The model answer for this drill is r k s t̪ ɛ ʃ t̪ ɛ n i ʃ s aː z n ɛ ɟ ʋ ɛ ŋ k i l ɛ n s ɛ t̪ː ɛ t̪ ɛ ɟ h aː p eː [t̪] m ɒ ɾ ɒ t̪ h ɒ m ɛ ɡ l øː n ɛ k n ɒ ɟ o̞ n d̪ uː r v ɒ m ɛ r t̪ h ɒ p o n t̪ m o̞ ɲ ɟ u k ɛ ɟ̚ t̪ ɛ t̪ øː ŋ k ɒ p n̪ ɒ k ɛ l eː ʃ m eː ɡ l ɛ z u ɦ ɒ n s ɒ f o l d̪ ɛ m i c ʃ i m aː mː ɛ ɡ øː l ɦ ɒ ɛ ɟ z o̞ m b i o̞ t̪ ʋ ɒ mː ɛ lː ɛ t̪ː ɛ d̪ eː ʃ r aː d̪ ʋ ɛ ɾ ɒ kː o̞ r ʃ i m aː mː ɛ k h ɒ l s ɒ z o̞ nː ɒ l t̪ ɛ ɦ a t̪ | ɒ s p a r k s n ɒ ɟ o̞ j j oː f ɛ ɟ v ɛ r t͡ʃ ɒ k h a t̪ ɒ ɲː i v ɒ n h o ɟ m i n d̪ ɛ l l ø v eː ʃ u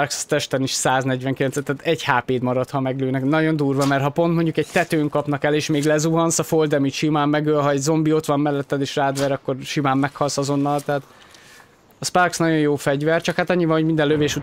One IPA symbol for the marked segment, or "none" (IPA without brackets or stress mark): d̪